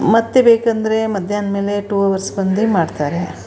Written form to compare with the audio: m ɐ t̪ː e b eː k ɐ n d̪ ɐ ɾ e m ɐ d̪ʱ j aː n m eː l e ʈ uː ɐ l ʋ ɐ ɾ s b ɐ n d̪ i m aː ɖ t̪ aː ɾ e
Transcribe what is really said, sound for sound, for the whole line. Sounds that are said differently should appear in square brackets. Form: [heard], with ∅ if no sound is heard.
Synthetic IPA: m ɐ t̪ː e b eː k ɐ n d̪ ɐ ɾ e m ɐ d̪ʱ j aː n m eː l e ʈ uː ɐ [∅] ʋ ɐ ɾ s b ɐ n d̪ i m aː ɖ t̪ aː ɾ e